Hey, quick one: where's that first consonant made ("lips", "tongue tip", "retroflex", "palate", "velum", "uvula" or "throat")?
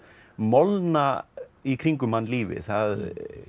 lips